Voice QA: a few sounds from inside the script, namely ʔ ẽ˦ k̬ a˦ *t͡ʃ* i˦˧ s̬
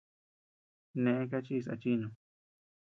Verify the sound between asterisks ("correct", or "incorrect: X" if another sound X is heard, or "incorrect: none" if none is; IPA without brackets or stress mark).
correct